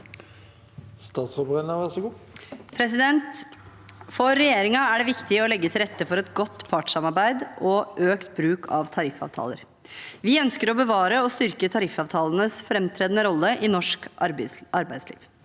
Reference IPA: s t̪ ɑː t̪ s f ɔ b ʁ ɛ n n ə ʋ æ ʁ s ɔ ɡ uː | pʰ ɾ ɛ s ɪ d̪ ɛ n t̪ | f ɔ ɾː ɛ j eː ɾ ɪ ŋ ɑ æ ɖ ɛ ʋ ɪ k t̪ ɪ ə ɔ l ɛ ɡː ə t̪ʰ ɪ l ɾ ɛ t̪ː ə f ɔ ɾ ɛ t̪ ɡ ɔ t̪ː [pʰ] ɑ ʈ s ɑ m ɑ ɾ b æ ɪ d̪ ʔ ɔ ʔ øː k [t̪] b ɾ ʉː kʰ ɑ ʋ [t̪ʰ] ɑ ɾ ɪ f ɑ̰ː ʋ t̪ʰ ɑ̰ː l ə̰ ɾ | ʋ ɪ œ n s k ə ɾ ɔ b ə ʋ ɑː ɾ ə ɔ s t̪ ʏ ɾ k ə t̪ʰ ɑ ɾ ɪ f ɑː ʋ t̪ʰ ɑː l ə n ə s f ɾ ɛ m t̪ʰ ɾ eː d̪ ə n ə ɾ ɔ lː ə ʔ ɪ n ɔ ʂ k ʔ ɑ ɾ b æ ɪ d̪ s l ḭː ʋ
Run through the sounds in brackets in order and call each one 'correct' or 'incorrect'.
correct, correct, correct

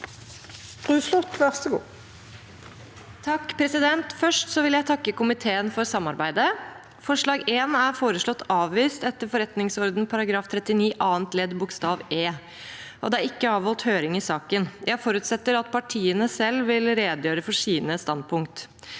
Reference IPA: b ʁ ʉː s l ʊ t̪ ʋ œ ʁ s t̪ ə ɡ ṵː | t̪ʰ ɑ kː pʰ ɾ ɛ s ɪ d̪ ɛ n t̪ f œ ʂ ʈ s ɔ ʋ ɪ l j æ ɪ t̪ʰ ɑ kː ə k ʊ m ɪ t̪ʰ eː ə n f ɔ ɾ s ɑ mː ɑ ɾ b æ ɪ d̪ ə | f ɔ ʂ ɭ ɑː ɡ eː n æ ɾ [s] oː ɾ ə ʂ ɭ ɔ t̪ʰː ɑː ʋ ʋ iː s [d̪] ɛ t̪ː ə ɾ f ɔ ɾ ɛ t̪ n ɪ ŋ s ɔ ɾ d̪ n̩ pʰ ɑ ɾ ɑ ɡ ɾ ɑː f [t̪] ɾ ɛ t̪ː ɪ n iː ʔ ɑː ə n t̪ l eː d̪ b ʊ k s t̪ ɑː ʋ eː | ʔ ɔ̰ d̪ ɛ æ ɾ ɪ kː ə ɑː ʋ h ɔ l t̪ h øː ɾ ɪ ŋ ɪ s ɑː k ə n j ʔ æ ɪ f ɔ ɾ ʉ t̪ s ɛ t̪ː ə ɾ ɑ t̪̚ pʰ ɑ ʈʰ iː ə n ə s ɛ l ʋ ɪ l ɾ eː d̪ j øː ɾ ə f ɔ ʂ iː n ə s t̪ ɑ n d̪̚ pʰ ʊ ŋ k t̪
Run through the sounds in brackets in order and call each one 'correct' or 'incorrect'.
incorrect, incorrect, incorrect

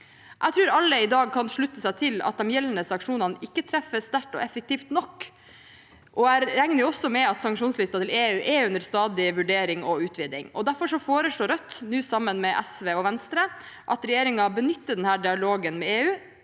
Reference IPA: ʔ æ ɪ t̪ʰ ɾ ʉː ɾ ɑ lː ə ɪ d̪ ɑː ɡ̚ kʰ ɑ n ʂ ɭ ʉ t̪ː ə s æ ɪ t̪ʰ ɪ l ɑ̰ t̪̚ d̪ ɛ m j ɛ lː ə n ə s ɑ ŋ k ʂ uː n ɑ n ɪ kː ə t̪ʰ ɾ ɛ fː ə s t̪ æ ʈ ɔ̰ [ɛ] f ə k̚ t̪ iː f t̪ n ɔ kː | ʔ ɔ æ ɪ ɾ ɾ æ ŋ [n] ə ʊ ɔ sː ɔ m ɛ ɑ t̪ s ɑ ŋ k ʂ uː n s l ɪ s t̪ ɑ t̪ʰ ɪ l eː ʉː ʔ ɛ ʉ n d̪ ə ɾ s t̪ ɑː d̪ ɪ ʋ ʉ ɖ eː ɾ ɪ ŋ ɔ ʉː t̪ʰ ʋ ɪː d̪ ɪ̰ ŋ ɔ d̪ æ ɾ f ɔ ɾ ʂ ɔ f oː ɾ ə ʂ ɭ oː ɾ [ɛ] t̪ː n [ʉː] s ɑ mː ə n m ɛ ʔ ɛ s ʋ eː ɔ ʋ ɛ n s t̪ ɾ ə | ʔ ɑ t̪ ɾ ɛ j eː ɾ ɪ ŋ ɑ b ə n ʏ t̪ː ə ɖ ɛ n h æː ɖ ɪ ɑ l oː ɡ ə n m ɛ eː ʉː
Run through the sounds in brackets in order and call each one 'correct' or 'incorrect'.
correct, correct, incorrect, correct

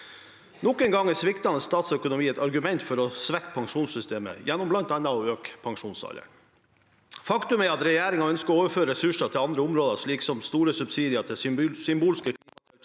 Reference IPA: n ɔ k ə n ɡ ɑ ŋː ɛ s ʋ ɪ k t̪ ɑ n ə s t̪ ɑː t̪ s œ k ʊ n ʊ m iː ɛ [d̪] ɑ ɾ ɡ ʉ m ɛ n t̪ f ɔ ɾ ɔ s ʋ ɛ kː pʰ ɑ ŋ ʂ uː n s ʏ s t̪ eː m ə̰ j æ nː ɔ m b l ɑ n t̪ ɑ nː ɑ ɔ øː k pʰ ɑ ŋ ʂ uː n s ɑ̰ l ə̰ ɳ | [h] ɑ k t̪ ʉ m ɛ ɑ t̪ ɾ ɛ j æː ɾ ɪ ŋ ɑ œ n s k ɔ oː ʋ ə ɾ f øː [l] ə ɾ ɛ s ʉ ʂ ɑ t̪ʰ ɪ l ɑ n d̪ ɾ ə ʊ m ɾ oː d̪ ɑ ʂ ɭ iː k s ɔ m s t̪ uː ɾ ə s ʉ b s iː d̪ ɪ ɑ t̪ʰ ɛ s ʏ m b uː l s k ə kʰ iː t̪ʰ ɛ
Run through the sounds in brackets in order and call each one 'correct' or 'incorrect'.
incorrect, incorrect, incorrect

